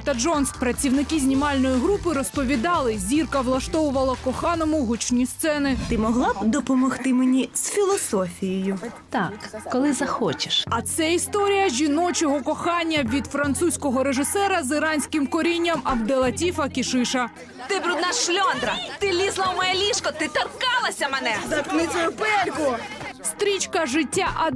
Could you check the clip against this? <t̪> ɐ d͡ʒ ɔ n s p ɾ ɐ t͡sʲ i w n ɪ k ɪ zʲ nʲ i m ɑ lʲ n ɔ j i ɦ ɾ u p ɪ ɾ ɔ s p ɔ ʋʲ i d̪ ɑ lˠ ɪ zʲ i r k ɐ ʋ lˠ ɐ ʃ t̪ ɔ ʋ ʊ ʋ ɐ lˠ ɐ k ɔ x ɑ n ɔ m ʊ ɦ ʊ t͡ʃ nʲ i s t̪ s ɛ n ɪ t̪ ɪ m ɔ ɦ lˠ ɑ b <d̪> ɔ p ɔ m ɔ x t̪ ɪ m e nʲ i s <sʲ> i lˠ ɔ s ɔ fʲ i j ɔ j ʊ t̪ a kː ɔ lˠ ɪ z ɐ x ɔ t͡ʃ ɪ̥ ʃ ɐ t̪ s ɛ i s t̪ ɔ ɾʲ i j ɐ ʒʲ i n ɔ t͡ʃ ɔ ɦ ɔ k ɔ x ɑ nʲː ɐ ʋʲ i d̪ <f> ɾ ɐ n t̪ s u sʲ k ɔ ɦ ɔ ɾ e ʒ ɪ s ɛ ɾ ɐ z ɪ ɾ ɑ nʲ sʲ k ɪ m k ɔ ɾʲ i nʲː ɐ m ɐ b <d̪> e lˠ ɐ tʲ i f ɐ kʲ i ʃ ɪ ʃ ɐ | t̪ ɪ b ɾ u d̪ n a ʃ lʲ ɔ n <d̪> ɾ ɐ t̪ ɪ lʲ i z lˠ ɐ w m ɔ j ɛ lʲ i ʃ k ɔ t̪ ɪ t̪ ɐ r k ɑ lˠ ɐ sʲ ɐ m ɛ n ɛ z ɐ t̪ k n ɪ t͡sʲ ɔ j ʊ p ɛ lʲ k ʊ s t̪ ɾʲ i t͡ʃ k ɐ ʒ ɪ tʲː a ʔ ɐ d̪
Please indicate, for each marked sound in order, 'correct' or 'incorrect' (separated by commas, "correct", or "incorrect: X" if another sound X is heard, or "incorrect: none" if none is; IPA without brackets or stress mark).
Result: correct, correct, incorrect: fʲ, correct, correct, correct